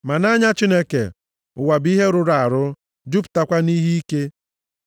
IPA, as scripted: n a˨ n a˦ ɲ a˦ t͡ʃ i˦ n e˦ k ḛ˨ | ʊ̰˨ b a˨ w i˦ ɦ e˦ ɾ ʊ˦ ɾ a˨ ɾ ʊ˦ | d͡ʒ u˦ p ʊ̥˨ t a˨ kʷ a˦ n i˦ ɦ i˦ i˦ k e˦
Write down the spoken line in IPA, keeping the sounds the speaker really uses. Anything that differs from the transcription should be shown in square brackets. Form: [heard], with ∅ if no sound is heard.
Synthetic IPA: [m] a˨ n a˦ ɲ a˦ t͡ʃ i˦ n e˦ k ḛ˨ | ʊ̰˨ [w] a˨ [b] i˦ ɦ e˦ ɾ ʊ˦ ɾ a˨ ɾ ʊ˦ | d͡ʒ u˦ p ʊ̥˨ t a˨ kʷ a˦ n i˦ ɦ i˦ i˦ k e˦

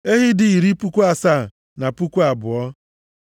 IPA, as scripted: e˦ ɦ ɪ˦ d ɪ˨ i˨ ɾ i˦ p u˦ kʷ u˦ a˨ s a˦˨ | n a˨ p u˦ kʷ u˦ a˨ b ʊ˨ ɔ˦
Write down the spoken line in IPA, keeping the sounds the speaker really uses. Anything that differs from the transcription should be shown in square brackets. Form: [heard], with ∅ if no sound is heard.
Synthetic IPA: e˦ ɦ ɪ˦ d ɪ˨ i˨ ɾ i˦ p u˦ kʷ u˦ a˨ s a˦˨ | n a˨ p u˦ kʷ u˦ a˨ b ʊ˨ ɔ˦

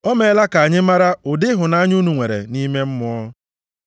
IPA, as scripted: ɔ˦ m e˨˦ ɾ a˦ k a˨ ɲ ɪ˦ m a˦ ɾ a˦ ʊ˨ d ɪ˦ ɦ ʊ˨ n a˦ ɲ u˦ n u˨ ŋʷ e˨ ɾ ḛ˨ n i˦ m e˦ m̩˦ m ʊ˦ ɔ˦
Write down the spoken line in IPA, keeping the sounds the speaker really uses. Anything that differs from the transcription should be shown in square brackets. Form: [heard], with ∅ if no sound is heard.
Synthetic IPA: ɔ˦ m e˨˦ [l] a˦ k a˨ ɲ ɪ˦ m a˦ ɾ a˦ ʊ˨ d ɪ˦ ɦ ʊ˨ n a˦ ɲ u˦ n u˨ ŋʷ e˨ ɾ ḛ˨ n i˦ m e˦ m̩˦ m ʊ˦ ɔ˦

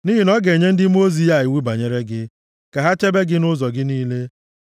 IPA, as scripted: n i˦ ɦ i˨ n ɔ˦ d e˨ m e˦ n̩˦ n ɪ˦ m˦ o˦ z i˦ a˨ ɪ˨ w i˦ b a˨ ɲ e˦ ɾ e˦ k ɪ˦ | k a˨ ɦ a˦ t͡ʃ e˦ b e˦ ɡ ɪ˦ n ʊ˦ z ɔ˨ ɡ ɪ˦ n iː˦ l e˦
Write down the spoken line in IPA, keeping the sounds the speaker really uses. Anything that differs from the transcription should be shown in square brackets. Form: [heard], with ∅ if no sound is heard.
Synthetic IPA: n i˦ ɦ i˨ n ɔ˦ [ɡ] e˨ [ɲ] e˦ n̩˦ [d] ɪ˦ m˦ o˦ z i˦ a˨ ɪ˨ w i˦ b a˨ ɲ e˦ ɾ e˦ [ɡ] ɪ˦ | k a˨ ɦ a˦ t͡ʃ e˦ b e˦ ɡ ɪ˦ n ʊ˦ z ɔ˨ ɡ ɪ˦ n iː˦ l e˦

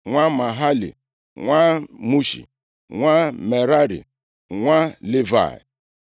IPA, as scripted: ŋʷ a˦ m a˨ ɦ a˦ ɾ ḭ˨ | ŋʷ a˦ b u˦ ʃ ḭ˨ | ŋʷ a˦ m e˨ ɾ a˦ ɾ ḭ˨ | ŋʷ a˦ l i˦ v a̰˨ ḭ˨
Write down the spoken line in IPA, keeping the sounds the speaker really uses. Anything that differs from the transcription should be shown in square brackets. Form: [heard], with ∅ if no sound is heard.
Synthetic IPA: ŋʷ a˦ m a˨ ɦ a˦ [l] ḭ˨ | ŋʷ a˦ [m] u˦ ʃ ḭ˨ | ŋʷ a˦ m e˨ ɾ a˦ ɾ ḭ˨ | ŋʷ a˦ l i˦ v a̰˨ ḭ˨

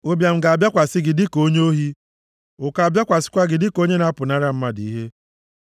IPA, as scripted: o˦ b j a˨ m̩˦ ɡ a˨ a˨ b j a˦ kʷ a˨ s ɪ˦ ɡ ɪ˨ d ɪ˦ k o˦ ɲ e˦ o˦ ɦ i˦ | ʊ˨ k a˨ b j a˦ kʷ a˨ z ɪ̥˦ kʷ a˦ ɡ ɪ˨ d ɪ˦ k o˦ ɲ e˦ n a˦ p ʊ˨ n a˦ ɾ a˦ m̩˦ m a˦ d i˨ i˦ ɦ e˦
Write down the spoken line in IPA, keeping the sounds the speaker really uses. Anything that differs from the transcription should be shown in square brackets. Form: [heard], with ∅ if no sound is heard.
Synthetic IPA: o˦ b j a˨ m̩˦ ɡ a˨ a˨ b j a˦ kʷ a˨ s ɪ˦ ɡ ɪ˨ d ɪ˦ k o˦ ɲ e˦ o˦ ɦ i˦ | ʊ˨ k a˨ b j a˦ kʷ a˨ [s] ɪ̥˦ kʷ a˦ ɡ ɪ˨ d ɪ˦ k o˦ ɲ e˦ n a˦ p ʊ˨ n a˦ ɾ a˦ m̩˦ m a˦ d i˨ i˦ ɦ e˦

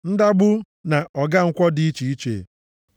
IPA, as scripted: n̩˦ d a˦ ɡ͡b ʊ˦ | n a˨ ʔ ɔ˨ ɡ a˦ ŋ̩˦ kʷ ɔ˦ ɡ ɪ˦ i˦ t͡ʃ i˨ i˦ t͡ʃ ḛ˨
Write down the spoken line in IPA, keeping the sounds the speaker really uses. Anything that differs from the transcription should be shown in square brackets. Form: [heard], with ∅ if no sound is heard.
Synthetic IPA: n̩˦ d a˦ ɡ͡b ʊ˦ | n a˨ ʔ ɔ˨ ɡ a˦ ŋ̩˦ kʷ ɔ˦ [d] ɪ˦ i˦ t͡ʃ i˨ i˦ t͡ʃ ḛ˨

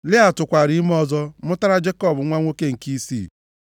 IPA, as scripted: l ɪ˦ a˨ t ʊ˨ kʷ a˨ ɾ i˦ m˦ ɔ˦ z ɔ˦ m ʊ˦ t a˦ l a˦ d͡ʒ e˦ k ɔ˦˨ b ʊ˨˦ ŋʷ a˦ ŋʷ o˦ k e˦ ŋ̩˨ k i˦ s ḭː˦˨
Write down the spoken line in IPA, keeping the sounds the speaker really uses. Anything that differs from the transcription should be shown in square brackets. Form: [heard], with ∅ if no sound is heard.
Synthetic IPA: l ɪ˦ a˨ t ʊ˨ kʷ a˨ ɾ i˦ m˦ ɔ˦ z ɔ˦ m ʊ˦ t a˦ [ɾ] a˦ d͡ʒ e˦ k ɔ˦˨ b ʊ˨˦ ŋʷ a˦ ŋʷ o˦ k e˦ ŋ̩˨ k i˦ s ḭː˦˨

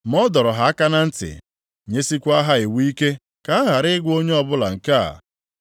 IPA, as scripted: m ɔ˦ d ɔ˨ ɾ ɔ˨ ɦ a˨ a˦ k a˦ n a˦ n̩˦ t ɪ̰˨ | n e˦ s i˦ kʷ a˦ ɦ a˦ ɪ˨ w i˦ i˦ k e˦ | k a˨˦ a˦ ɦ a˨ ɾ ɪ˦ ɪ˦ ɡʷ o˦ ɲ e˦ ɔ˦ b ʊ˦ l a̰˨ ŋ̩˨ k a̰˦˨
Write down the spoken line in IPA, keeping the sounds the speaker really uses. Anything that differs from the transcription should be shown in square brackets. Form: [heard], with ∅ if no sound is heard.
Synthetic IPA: m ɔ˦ d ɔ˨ ɾ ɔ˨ ɦ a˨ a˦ k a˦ n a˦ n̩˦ t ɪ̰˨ | [ɲ] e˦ s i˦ kʷ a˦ ɦ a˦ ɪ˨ w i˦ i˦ k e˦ | k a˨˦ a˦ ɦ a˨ ɾ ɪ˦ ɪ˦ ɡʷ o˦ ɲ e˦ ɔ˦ b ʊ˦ l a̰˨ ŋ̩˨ k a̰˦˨

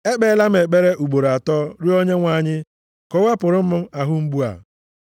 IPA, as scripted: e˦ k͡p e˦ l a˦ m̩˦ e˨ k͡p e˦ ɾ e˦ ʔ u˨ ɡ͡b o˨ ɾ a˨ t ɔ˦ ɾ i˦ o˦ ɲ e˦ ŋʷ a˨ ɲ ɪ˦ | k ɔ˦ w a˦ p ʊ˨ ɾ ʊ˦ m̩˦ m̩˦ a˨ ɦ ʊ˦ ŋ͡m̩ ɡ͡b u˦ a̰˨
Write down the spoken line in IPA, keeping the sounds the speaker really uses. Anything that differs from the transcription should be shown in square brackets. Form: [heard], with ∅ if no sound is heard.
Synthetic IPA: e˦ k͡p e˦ l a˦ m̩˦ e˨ k͡p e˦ ɾ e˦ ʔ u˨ ɡ͡b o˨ ɾ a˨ t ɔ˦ ɾ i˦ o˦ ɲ e˦ ŋʷ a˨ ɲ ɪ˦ | k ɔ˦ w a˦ p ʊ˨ ɾ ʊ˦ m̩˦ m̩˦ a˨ ɦ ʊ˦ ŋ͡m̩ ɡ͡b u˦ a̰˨

